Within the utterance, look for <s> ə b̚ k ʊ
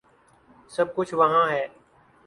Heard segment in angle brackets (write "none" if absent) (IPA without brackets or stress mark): s